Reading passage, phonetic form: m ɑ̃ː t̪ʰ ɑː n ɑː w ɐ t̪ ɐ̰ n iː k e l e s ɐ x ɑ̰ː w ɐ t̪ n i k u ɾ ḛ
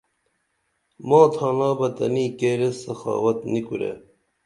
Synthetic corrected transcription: m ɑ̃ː t̪ʰ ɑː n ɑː b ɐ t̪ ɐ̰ n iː k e ɾ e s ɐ x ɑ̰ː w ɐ t̪ n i k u ɾ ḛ